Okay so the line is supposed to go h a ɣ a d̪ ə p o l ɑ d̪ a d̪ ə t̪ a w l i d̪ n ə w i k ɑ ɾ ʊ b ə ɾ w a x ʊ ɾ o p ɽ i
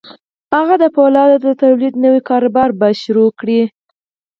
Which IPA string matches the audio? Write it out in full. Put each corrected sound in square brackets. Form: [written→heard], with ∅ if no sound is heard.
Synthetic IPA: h a ɣ a d̪ ə p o l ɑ d̪ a d̪ ə t̪ a w l i d̪ n ə w i k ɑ ɾ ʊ b [ə→ɑ] ɾ [w→b] a [x→ʃ] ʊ ɾ o [p→k] ɽ i

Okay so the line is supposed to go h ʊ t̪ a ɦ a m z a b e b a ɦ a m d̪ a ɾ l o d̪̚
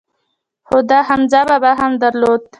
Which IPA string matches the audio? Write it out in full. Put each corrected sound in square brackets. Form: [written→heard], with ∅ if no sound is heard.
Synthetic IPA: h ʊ [t̪→d̪] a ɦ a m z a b [e→a] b a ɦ a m d̪ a ɾ l o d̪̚

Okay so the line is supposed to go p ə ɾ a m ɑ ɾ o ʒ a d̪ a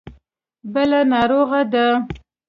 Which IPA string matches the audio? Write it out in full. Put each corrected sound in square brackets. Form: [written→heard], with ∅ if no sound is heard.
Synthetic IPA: [p→b] ə [ɾ→l] a [m→n] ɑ ɾ o [ʒ→ɣ] a d̪ a

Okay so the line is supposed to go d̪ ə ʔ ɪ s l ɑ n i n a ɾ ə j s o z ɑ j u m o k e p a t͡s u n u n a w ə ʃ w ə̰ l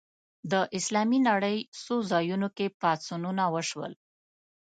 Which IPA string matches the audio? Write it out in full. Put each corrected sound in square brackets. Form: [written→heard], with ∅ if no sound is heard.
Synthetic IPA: d̪ ə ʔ ɪ s l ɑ [n→m] i n a [ɾ→ɽ] ə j s o z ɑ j u [m→n] o k e p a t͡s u n u n a w ə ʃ w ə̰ l

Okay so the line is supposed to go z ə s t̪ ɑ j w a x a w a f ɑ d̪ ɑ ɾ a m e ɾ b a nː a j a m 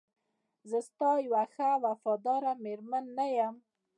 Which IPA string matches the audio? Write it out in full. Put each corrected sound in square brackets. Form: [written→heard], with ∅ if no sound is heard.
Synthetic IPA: z ə s t̪ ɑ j w a x a w a f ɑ d̪ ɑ ɾ a m e ɾ [b→m] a nː a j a m

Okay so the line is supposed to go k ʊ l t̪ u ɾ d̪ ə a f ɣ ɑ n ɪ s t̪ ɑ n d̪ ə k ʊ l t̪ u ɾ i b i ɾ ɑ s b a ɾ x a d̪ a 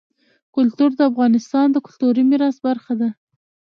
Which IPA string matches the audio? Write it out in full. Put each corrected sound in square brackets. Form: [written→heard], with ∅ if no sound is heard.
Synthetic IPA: k ʊ l t̪ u ɾ d̪ ə a f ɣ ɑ n ɪ s t̪ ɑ n d̪ ə k ʊ l t̪ u ɾ i [b→m] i ɾ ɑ s b a ɾ x a d̪ a

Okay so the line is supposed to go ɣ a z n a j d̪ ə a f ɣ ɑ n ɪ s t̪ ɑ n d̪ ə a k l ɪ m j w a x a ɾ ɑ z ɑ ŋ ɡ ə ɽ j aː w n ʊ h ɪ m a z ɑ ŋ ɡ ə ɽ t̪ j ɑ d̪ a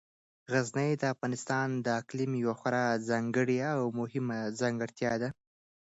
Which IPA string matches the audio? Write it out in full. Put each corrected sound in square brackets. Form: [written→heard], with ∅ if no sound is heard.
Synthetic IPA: ɣ a z n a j d̪ ə a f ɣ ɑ n ɪ s t̪ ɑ n d̪ ə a k l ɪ m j w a x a ɾ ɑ z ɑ ŋ ɡ ə ɽ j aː w [n→m] ʊ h ɪ m a z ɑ ŋ ɡ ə ɽ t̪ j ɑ d̪ a

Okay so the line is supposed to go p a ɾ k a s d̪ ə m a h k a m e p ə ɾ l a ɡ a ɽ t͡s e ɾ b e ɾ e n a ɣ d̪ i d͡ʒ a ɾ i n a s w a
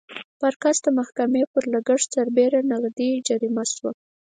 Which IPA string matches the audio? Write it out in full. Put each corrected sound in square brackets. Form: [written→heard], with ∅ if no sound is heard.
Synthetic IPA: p a ɾ k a s d̪ ə m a h k a m e p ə ɾ l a ɡ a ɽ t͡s [e→a] ɾ b e ɾ [e→a] n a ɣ d̪ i d͡ʒ a ɾ i [n→m] a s w a

